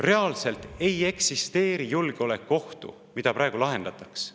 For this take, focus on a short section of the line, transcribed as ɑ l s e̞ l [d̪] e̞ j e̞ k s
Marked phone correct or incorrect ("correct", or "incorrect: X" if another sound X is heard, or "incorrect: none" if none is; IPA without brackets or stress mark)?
incorrect: t̪